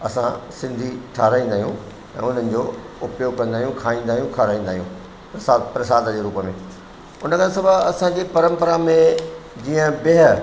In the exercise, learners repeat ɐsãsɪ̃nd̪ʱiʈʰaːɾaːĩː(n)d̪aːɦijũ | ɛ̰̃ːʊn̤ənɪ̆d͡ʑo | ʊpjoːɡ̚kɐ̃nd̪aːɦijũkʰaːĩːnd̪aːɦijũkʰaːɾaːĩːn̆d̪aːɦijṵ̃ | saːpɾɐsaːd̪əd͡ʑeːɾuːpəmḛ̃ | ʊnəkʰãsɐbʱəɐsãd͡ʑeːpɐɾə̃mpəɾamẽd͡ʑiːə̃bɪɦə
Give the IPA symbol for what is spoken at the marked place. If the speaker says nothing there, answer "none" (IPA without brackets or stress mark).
n